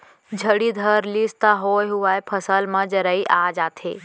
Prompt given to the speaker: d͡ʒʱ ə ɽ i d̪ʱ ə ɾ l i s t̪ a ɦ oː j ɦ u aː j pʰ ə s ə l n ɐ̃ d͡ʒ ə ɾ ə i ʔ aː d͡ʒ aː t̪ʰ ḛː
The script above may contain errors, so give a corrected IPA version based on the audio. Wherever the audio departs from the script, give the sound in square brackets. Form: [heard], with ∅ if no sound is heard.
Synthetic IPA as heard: d͡ʒʱ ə ɽ i d̪ʱ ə ɾ l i s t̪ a ɦ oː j ɦ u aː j pʰ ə s ə l [m] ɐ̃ d͡ʒ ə ɾ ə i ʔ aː d͡ʒ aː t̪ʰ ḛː